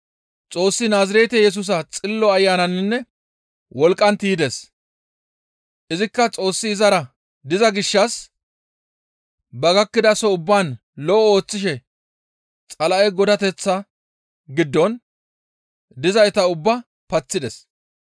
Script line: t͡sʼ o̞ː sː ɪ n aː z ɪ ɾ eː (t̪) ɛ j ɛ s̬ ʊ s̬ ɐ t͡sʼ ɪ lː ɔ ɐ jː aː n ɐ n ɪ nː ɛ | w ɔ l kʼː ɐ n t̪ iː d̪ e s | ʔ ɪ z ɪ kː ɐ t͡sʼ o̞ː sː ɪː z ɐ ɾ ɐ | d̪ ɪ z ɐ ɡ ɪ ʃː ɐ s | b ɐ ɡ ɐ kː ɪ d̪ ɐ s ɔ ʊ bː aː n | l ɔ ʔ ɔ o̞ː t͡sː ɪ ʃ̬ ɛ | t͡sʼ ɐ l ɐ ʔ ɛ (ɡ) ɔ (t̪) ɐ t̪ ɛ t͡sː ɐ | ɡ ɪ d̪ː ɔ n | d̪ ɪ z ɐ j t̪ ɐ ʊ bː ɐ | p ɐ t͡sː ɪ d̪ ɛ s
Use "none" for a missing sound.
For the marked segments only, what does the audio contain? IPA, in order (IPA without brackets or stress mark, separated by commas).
t̪, ɡ, d̪